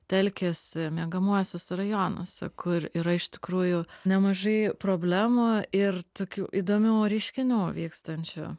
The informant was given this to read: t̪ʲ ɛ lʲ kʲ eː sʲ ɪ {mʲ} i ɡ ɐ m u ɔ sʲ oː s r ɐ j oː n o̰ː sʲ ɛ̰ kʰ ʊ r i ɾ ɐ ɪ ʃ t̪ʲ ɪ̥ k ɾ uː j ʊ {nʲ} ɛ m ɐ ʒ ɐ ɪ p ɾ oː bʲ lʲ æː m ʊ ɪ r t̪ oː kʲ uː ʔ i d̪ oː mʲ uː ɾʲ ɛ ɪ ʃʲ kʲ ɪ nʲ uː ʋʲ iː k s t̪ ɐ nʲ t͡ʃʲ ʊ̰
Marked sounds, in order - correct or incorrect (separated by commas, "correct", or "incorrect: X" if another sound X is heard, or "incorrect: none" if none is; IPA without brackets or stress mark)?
correct, correct